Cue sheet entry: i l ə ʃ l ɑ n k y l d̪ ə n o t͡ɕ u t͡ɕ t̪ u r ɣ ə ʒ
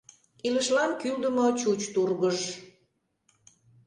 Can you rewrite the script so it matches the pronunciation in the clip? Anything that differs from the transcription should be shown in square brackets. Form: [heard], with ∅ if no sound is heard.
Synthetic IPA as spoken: i l ə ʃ l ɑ n k y l d̪ ə [m] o t͡ɕ u t͡ɕ t̪ u r ɣ ə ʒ